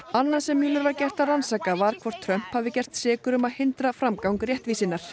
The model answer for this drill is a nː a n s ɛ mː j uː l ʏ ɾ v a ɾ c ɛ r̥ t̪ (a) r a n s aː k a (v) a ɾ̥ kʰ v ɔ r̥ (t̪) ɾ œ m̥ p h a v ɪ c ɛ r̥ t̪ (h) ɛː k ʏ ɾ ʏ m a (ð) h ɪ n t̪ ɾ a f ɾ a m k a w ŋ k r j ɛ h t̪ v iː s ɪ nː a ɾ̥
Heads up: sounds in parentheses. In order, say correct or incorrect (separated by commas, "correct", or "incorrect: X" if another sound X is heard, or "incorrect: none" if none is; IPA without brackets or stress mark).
correct, correct, incorrect: t̪ʰ, incorrect: s, correct